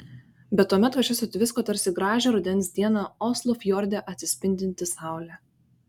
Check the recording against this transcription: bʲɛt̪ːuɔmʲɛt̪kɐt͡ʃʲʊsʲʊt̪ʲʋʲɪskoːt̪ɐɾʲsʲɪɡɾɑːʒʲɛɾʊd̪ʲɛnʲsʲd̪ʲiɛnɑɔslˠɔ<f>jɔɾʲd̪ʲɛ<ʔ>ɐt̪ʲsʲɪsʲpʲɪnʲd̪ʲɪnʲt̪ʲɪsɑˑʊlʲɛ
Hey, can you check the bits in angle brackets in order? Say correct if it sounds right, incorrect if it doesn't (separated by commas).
correct, correct